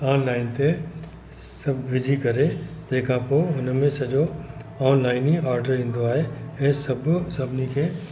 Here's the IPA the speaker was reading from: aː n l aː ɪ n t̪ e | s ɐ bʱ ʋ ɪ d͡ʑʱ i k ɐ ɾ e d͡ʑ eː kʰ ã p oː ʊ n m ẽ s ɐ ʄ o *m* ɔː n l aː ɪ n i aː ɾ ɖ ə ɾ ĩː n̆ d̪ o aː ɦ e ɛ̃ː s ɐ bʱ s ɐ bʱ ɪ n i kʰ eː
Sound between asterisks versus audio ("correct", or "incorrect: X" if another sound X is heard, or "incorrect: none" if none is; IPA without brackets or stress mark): incorrect: none